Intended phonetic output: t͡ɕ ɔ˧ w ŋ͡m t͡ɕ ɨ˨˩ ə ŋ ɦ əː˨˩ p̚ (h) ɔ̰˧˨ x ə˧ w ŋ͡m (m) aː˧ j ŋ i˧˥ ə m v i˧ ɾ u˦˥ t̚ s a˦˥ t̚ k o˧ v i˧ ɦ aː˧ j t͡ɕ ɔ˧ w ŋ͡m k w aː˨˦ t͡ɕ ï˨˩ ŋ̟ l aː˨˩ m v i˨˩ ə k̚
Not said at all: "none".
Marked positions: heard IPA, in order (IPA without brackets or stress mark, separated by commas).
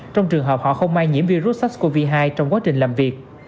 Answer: h, m